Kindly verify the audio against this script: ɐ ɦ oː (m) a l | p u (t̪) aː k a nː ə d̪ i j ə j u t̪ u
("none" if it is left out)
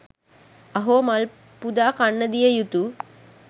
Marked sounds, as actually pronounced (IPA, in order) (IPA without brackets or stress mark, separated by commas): m, d̪